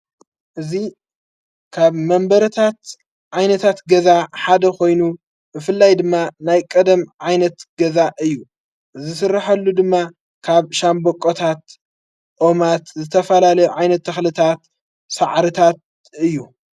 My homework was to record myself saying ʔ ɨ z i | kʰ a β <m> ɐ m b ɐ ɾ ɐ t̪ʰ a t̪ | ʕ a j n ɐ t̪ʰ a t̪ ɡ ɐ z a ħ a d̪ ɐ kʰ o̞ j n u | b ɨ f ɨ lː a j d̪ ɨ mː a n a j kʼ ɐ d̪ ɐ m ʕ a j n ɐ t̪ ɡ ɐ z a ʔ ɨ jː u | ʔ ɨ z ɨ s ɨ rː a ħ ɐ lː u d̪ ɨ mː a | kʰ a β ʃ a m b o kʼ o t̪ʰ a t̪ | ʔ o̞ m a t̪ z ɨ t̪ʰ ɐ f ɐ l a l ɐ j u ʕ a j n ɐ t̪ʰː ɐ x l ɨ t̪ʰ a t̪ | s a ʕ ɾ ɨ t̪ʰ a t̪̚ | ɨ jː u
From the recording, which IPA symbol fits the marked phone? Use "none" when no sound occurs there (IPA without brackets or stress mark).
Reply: m